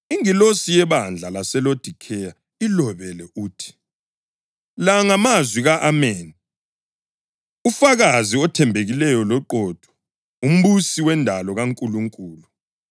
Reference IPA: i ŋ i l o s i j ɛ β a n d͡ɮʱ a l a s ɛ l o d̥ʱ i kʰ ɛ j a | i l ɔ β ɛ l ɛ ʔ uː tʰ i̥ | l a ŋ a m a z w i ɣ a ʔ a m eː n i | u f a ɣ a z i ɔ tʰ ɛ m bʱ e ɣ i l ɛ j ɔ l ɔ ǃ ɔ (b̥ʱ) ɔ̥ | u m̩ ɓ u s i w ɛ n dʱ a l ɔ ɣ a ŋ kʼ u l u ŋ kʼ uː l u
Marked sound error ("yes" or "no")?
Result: yes